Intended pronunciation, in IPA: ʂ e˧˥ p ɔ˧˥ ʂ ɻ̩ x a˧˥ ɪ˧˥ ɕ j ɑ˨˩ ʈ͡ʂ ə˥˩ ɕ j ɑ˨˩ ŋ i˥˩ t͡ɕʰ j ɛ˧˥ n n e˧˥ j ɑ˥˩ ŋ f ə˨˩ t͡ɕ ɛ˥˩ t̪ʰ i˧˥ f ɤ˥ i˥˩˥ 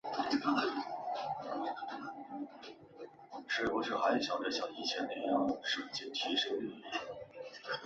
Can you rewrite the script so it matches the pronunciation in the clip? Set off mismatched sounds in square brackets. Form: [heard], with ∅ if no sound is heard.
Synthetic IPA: ʂ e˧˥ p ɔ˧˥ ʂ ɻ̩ x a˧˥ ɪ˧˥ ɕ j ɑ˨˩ ʈ͡ʂ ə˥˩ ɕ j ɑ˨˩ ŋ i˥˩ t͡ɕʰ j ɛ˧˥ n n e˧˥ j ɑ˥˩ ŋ [ʂ] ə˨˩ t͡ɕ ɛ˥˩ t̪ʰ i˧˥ [ʂ] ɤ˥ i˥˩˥